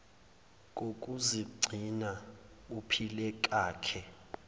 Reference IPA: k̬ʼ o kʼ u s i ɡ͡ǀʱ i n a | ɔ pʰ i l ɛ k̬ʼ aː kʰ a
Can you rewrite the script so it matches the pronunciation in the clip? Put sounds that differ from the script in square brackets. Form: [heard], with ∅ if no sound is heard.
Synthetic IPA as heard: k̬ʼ o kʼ u [z] i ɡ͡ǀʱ i n a | [u] pʰ i l ɛ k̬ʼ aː kʰ [ɛ]